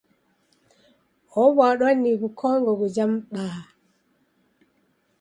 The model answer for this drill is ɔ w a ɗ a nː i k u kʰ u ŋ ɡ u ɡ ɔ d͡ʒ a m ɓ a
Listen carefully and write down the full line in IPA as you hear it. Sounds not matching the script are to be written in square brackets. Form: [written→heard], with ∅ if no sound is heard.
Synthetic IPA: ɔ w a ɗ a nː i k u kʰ [u→ɔ] ŋ ɡ [u→ɔ] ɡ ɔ d͡ʒ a m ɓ a